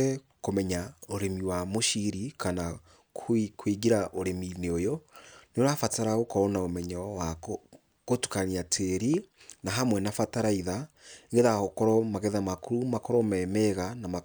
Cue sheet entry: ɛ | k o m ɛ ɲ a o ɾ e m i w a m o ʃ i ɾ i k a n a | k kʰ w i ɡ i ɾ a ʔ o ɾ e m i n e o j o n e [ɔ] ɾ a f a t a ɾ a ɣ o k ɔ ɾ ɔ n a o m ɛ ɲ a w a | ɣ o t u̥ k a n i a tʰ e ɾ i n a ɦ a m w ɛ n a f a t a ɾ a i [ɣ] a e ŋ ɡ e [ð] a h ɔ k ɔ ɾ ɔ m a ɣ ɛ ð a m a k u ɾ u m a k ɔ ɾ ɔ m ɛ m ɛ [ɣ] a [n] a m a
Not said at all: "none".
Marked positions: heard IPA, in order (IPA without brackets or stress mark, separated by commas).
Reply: o, ð, ð, ɣ, n